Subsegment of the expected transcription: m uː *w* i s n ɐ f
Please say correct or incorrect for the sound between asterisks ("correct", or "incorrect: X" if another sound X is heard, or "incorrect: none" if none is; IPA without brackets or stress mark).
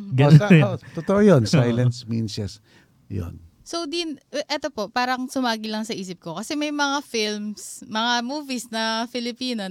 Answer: incorrect: v